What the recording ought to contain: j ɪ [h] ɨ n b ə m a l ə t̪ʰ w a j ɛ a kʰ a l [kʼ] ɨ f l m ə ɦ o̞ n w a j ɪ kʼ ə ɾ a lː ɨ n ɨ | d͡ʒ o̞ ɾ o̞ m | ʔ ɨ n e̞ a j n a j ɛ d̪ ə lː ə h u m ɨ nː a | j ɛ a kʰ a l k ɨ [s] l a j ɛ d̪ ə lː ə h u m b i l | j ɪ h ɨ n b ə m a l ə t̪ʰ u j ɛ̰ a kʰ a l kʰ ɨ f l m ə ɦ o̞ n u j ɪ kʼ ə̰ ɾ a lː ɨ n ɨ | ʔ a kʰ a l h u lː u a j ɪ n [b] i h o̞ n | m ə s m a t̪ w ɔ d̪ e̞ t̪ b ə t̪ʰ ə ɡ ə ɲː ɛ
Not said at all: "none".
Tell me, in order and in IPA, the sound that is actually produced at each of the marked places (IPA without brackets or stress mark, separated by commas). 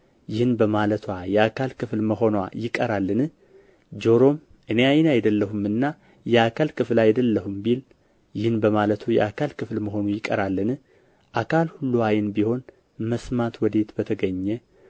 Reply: h, k, f, b